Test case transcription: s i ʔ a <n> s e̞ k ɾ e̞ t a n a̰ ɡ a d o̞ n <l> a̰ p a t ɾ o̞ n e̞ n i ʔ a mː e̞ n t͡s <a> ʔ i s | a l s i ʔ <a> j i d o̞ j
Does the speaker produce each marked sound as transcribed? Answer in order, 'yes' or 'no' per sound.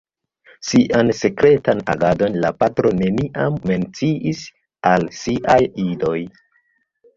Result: yes, yes, no, yes

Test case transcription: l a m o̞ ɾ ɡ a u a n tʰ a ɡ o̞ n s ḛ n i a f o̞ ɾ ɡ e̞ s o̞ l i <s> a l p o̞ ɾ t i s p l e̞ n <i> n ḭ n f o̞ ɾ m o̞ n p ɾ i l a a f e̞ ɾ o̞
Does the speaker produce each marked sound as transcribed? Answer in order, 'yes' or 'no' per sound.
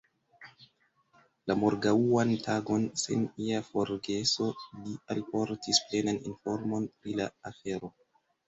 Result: no, no

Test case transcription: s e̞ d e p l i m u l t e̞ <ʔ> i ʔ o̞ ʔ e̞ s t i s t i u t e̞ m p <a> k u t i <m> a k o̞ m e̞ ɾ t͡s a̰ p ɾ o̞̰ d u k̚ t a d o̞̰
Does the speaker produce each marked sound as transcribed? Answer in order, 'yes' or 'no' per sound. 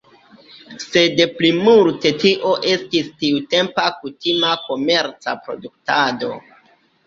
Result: no, yes, yes

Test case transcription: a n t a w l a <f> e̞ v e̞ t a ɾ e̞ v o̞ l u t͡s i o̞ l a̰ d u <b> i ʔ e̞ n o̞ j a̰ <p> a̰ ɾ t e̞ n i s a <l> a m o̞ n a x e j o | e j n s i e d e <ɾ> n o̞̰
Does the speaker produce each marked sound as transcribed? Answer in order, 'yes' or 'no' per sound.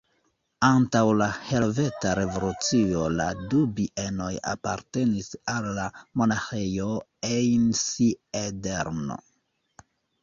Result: no, yes, yes, no, yes

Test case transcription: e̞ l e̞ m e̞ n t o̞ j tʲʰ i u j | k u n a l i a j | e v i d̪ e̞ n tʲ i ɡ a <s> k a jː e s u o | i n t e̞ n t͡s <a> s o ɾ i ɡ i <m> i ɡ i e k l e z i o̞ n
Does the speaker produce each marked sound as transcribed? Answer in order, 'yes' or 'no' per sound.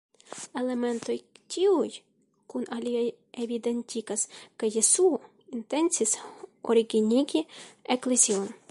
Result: yes, no, no

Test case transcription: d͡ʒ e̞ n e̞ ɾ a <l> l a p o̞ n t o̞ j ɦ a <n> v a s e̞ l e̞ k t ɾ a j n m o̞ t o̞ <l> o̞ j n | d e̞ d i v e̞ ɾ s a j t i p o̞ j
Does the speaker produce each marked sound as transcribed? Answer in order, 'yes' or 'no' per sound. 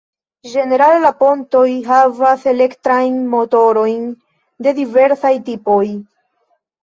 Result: yes, no, no

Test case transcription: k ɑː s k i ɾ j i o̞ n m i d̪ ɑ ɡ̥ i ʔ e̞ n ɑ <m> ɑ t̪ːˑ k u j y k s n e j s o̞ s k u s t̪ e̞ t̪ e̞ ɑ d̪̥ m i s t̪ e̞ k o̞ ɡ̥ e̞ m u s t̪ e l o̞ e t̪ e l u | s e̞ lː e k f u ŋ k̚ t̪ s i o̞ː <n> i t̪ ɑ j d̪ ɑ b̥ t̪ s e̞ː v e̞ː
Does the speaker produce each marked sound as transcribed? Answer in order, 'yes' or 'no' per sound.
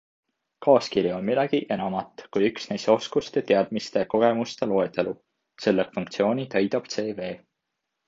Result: yes, yes

